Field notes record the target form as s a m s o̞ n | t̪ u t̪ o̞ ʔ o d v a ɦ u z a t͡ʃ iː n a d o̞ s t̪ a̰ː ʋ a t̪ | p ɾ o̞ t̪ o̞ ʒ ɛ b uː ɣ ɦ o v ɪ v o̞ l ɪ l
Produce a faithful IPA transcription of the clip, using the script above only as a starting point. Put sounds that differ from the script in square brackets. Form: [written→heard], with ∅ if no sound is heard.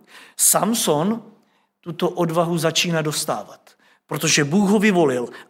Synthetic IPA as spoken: s a m s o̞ n | t̪ u t̪ o̞ ʔ o d v a ɦ u z a t͡ʃ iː n a d o̞ s t̪ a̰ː [ʋ→v] a t̪ | p ɾ o̞ t̪ o̞ ʒ ɛ b uː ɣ ɦ o v ɪ v o̞ l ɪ l